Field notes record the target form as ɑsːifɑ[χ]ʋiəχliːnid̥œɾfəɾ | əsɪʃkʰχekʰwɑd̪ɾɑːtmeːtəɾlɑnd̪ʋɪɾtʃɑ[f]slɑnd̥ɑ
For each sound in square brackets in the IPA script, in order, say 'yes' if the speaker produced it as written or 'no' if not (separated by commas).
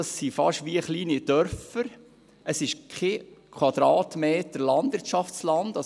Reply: no, yes